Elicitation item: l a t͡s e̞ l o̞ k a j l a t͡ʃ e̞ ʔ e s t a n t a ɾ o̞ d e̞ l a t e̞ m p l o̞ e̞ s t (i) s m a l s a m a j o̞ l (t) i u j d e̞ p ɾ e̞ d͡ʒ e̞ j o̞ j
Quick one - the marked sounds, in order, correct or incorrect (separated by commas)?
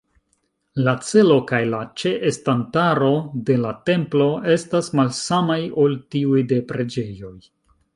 incorrect, correct